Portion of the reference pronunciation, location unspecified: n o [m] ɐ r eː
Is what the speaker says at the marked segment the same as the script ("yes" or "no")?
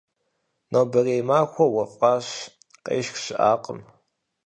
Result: no